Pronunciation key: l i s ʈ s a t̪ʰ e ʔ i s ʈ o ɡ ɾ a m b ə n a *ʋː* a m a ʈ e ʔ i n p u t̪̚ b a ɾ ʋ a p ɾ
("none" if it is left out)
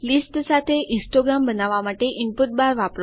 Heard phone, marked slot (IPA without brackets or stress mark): ʋ